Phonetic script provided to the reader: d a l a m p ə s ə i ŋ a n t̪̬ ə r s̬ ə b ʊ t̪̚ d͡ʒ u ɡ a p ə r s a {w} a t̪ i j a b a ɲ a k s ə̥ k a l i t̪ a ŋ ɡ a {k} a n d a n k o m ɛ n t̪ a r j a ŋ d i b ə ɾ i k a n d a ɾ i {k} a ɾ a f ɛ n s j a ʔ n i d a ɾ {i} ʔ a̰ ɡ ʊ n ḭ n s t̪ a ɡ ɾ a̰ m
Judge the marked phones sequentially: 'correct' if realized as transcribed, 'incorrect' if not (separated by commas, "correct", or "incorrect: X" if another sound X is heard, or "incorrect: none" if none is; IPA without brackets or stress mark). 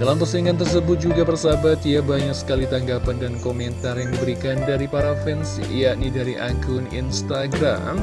incorrect: b, incorrect: p, incorrect: p, correct